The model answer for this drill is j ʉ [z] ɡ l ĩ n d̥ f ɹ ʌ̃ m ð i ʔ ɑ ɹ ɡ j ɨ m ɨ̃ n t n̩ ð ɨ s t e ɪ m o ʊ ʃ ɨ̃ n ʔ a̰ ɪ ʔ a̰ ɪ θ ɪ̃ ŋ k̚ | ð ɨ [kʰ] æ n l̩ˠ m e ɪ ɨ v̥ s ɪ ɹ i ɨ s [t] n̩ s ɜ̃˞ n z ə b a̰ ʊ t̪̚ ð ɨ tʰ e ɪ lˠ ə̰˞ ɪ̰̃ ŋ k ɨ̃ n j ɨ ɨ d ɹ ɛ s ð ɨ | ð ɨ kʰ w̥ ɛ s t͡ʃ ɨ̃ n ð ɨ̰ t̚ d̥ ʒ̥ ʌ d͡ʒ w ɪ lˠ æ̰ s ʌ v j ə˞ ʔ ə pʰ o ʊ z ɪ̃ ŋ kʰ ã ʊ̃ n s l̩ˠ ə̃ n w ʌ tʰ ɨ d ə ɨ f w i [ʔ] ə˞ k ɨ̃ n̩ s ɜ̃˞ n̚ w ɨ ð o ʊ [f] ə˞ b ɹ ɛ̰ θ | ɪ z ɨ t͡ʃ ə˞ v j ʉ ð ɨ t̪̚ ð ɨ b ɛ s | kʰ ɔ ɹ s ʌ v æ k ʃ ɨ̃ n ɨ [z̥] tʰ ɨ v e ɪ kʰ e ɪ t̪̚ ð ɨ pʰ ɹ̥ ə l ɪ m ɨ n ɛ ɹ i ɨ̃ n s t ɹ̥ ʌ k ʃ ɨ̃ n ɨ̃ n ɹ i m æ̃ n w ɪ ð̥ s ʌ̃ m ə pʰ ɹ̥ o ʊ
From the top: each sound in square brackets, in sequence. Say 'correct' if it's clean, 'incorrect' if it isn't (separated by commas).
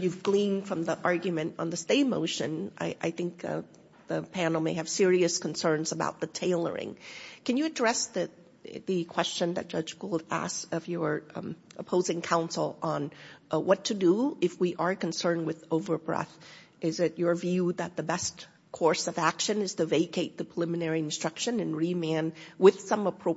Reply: incorrect, incorrect, incorrect, correct, incorrect, correct